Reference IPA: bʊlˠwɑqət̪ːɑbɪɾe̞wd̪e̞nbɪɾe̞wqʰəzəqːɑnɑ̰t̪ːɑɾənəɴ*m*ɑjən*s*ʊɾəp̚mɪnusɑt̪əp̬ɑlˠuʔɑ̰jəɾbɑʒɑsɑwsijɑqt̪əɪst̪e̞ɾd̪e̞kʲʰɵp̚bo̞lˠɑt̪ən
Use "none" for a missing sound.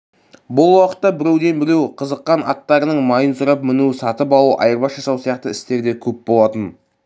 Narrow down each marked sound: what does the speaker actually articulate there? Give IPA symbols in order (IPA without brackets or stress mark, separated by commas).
m, s